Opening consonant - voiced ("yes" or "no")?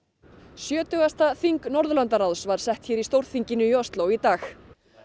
no